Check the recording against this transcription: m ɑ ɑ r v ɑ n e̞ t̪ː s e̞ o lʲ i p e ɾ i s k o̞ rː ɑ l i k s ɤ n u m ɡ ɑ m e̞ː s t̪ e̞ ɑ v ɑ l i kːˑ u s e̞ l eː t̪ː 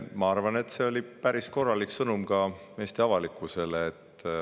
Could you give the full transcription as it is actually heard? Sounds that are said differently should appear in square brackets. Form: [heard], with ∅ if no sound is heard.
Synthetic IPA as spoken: m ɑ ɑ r v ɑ n e̞ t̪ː s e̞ o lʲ i p [æ] ɾ i s k o̞ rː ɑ l i k s ɤ n u m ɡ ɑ m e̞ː s t̪ e̞ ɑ v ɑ l i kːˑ u s e̞ l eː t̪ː